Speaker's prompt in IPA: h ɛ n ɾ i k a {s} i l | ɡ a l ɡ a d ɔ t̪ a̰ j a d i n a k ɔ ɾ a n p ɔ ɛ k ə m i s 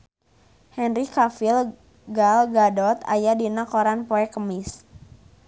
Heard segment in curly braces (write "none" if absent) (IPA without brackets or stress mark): f